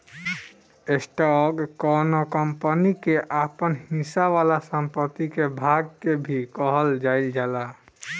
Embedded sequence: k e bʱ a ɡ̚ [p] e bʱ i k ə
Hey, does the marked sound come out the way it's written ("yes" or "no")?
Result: no